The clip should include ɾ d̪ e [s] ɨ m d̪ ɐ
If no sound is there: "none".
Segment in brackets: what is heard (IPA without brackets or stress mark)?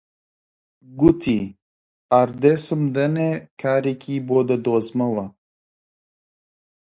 s